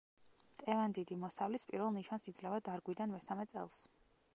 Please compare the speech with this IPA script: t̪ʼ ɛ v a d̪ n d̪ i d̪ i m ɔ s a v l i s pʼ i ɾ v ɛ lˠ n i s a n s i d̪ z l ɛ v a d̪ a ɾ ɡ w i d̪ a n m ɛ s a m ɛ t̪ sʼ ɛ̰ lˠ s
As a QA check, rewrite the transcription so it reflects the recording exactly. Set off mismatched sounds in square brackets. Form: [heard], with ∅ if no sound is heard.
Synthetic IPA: t̪ʼ ɛ v a [∅] n d̪ i d̪ i m ɔ s a v l i s pʼ i ɾ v ɛ lˠ n i [ʃ] a n s i d̪ z l ɛ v a d̪ a ɾ ɡ w i d̪ a n m ɛ s a m ɛ t̪ sʼ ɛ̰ lˠ s